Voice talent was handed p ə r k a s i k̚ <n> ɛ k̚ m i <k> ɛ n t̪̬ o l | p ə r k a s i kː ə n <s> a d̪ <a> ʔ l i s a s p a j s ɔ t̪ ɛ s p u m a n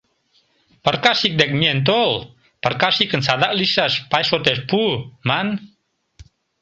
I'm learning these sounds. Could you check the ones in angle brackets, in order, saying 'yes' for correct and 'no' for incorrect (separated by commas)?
no, no, yes, yes